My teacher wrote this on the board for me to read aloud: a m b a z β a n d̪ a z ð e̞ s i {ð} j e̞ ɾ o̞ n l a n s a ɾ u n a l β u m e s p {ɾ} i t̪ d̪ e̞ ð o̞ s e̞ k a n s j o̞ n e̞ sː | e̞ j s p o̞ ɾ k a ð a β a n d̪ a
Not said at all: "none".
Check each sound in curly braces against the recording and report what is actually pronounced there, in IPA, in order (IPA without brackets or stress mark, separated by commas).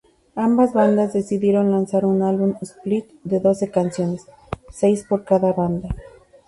ð, l